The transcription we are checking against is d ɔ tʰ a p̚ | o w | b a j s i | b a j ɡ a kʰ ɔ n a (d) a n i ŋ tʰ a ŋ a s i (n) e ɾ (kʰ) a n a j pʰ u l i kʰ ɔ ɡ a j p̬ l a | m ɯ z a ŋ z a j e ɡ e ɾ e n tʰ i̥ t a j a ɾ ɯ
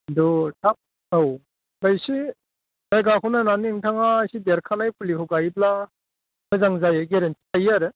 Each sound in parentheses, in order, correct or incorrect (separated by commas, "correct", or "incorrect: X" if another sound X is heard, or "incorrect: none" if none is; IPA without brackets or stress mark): incorrect: n, incorrect: d, correct